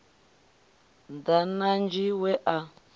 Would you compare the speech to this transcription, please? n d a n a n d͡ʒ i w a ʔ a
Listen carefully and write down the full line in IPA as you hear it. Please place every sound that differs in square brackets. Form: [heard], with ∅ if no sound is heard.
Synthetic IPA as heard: n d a n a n d͡ʒ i w [ɛ] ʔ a

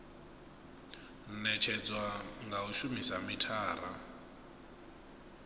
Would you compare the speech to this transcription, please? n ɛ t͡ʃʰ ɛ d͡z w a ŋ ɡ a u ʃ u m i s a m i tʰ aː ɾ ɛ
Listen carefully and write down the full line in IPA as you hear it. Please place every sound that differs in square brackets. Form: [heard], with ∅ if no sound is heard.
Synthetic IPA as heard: n ɛ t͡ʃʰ ɛ d͡z w a ŋ ɡ a u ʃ u m i s a m i tʰ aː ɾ [a]

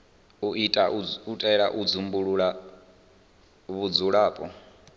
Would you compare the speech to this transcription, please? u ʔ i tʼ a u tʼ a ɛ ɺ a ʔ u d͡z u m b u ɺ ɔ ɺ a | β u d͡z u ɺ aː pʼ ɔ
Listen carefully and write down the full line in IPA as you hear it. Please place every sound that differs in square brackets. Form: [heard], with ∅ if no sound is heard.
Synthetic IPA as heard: u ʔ i tʼ a u tʼ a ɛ ɺ a ʔ u d͡z u m b u ɺ [u] ɺ a | β u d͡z u ɺ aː pʼ ɔ

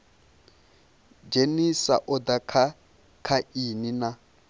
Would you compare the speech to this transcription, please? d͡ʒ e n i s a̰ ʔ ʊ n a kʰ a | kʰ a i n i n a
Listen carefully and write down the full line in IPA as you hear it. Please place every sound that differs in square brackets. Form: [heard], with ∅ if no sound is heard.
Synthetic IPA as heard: d͡ʒ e n i s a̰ ʔ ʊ [d] a kʰ a | kʰ a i n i n a

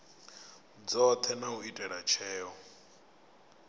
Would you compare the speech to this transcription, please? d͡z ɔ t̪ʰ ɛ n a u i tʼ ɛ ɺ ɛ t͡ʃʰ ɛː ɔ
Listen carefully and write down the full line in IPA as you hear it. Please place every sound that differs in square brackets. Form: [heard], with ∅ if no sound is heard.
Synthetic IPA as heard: d͡z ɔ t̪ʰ ɛ n a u i tʼ ɛ ɺ [a] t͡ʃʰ ɛː ɔ

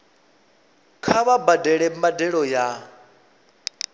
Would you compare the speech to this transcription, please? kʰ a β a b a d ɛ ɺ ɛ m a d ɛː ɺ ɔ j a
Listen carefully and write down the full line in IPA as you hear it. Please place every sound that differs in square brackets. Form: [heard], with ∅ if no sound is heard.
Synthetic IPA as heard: kʰ a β a b a d ɛ ɺ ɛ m a d [ɛ] ɺ ɔ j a

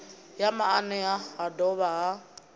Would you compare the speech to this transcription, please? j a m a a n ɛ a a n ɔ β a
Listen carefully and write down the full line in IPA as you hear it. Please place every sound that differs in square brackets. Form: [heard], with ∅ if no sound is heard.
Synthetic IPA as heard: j a m a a n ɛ a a [d] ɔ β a

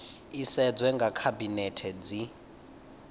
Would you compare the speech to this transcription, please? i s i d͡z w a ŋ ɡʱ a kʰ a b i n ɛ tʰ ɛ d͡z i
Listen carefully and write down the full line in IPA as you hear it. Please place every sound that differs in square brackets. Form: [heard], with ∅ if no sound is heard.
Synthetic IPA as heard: i s [ɛ] d͡z w [ɛ] ŋ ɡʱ a kʰ a b i n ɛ tʰ ɛ d͡z i

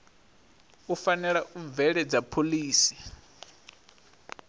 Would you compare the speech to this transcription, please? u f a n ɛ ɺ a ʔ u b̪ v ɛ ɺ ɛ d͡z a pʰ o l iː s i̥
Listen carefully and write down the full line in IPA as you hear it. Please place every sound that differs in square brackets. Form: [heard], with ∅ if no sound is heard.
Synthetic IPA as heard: u f a n ɛ ɺ a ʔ u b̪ v ɛ ɺ ɛ d͡z a pʰ o l iː s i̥

